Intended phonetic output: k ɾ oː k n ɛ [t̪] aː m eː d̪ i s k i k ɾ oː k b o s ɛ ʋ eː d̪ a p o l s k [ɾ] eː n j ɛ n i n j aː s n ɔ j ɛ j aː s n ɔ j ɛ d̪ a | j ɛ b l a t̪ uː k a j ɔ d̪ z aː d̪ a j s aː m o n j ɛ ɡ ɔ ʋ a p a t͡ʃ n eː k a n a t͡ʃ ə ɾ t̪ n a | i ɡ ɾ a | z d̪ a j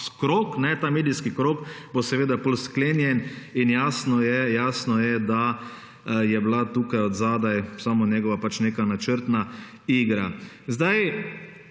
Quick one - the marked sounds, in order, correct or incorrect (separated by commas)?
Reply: correct, incorrect